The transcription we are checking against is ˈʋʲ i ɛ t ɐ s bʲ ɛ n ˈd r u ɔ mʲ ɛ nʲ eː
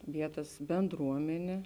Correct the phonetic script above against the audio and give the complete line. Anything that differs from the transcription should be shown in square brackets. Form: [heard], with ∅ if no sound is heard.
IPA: ˈʋʲ i ɛ t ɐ s bʲ ɛ n ˈd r u ɔ mʲ ɛ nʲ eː